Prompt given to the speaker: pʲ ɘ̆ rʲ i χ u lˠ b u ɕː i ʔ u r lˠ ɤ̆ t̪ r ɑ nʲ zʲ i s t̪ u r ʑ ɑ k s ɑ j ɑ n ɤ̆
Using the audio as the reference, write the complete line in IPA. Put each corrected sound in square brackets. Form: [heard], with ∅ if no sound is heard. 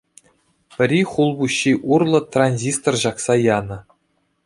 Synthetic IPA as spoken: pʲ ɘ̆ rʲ i χ u lˠ b u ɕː i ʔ u r lˠ ɤ̆ t̪ r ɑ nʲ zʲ i s t̪ [o] r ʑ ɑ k s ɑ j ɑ n ɤ̆